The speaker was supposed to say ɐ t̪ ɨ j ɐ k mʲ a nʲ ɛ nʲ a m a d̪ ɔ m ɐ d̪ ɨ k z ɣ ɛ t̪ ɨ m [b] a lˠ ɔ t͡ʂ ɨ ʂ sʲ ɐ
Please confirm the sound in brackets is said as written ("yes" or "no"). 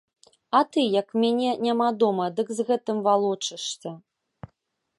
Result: no